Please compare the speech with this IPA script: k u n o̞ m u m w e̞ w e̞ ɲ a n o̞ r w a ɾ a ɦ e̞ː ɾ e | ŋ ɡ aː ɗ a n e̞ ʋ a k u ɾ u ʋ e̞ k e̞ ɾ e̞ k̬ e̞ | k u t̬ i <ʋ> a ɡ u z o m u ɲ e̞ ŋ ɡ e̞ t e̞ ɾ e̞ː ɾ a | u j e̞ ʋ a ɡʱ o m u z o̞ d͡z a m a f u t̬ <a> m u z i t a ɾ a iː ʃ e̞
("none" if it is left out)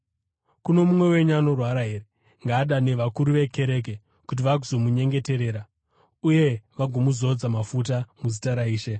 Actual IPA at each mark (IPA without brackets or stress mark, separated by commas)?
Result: ʋ, a